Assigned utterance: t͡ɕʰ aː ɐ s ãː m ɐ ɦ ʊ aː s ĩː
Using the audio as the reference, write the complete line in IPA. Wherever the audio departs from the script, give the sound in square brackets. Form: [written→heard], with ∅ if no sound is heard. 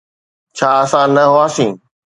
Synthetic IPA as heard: t͡ɕʰ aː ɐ s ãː [m→n] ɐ ɦ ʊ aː s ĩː